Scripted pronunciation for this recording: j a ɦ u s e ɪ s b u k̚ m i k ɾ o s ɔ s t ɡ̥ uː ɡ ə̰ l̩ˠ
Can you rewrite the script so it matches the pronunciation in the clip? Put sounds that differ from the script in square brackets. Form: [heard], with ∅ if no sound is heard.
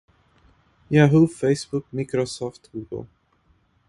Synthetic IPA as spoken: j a ɦ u [f] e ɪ s b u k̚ m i k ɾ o s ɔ [f] t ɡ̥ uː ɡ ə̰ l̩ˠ